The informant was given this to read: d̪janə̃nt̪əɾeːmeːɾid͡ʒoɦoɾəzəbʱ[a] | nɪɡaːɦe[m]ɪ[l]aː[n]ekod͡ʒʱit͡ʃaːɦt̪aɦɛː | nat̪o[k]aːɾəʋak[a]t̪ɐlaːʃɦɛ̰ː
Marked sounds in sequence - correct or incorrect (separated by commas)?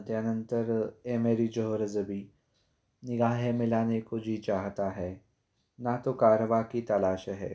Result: incorrect, correct, correct, correct, correct, incorrect